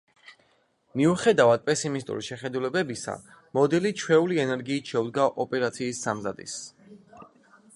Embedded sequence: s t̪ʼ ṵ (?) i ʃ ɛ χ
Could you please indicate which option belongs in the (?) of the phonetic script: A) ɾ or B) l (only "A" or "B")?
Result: A